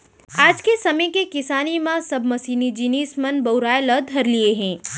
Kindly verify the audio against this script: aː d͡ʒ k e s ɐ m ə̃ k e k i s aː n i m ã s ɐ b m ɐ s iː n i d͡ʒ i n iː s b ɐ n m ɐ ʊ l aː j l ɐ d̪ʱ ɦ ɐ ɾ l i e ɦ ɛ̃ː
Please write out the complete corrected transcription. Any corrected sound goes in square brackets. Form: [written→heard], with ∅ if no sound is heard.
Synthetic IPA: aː d͡ʒ k e s ɐ m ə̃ k e k [i→ɪ] s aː n i m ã s ɐ b m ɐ s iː n i d͡ʒ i n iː s [b→m] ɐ n [m→b] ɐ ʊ [l→ɾ] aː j l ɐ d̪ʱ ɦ ɐ ɾ l i e ɦ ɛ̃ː